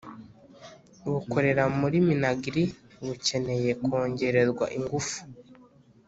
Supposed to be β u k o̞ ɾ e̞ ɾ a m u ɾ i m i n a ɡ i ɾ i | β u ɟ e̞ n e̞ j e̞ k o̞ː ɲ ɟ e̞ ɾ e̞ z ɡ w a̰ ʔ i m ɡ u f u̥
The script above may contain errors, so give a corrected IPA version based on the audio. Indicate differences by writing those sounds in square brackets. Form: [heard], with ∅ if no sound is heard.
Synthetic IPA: β u k o̞ ɾ e̞ ɾ a m u ɾ i m i n a ɡ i ɾ i | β u [c] e̞ n e̞ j e̞ k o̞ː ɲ ɟ e̞ ɾ e̞ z ɡ w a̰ ʔ i [ŋ] ɡ u f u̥